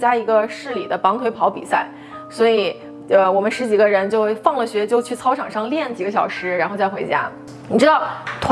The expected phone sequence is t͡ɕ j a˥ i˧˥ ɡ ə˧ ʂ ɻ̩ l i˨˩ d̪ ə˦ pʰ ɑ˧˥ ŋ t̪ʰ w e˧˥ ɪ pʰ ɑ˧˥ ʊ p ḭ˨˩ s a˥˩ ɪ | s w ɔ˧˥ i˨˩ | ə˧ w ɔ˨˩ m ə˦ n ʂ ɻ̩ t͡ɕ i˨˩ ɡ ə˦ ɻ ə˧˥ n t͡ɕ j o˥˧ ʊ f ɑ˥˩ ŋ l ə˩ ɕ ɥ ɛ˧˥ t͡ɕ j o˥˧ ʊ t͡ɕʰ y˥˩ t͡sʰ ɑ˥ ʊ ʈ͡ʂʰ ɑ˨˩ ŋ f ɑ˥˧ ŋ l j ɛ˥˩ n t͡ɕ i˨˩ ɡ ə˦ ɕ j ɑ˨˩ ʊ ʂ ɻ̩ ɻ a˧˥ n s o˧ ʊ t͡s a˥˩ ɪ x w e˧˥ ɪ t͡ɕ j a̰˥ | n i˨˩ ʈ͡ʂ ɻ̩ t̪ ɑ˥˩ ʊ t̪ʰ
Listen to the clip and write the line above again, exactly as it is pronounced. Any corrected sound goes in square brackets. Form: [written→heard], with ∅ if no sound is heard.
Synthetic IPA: t͡ɕ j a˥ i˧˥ ɡ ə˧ ʂ ɻ̩ l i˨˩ d̪ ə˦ [pʰ→p] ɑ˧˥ ŋ t̪ʰ w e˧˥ ɪ pʰ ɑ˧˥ ʊ p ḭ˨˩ s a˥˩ ɪ | s w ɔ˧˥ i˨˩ | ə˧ w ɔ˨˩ m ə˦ n ʂ ɻ̩ t͡ɕ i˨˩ ɡ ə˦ ɻ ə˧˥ n t͡ɕ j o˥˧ ʊ f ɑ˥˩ ŋ l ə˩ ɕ ɥ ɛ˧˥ t͡ɕ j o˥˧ ʊ t͡ɕʰ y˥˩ t͡sʰ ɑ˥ ʊ ʈ͡ʂʰ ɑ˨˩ ŋ [f→ʂ] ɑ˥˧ ŋ l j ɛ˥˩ n t͡ɕ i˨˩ ɡ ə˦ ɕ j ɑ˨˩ ʊ ʂ ɻ̩ ɻ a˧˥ n [s→x] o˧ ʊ t͡s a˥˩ ɪ x w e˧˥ ɪ t͡ɕ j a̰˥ | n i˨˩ ʈ͡ʂ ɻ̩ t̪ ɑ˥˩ ʊ t̪ʰ